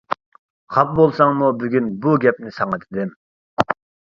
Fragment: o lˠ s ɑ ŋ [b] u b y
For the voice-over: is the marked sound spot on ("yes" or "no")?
no